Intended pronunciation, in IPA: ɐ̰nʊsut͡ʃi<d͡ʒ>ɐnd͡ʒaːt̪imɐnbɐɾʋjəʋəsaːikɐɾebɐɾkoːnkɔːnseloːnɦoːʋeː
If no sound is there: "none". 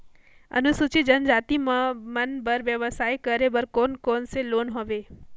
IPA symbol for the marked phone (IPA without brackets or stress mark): d͡ʒ